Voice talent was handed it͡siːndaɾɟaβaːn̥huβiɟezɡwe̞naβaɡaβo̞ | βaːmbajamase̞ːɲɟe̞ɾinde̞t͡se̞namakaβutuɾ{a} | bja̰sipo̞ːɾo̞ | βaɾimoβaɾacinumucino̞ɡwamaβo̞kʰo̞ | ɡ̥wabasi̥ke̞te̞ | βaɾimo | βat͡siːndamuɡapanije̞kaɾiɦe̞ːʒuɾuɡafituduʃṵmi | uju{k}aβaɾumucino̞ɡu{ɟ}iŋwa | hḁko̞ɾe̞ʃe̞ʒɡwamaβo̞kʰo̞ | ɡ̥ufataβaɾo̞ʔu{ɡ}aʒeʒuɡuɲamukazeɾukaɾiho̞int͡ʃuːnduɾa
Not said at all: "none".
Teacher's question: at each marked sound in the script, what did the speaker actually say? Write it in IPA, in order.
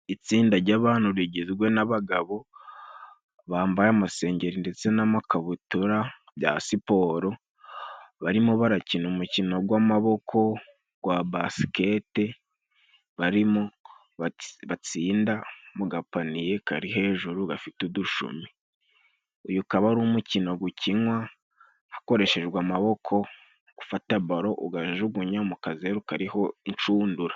a, k, c, ɡ

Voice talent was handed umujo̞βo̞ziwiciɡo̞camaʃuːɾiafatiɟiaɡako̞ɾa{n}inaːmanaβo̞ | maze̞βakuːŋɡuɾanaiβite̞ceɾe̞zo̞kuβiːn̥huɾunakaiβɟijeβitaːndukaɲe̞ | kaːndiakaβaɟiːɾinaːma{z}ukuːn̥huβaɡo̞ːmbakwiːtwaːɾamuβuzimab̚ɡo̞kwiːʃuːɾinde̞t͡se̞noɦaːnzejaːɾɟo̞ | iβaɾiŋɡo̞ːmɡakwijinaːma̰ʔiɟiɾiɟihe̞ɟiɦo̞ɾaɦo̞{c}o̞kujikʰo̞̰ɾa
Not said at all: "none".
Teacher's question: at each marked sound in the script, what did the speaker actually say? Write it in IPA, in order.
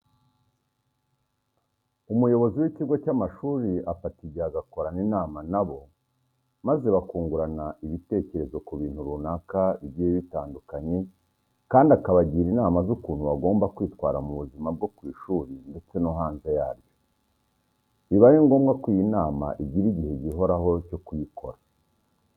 n, z, c

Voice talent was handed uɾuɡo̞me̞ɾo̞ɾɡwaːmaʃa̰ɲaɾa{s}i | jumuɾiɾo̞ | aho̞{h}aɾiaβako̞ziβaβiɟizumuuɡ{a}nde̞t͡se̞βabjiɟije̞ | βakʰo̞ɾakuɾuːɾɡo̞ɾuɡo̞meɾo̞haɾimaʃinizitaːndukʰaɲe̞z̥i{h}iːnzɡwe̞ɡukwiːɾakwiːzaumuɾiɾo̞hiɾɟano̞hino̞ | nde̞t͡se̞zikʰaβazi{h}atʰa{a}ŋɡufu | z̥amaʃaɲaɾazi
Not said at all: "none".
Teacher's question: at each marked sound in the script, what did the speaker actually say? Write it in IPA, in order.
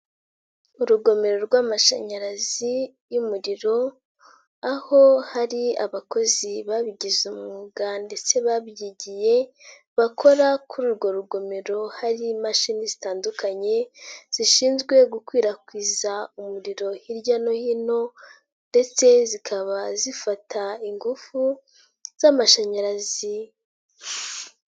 z, h, a, ʃ, f, i

